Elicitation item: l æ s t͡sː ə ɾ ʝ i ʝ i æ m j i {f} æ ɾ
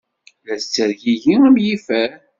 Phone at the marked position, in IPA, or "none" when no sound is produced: f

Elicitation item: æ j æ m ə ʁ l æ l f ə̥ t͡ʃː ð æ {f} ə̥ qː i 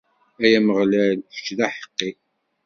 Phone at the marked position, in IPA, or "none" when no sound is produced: ħ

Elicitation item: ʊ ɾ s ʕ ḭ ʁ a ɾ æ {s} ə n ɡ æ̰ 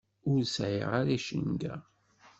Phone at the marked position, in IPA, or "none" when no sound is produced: ʃ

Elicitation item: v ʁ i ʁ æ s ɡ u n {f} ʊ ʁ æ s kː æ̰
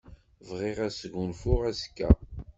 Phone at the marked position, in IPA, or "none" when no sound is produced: f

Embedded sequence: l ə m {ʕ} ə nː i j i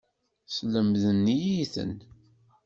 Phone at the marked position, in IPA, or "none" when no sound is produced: ð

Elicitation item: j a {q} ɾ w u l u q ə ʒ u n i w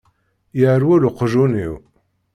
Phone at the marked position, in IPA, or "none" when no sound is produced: none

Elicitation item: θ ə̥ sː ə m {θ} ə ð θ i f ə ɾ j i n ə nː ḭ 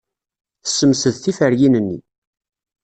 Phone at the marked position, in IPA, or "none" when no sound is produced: s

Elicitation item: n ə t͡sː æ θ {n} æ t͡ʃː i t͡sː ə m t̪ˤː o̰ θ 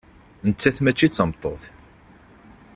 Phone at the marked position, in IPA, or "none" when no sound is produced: m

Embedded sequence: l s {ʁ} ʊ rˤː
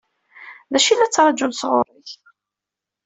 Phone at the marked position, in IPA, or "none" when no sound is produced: ʁ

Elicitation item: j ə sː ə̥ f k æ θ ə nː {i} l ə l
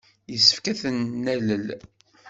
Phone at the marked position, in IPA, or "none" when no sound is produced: æ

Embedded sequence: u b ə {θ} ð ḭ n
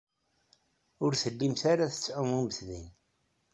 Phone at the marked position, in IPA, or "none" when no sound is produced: θ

